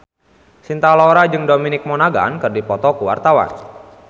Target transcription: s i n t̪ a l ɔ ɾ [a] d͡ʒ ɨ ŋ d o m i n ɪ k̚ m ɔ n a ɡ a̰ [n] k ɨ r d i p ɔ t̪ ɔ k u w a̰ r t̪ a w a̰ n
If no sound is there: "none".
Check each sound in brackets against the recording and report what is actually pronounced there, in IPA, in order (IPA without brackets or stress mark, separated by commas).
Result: a, n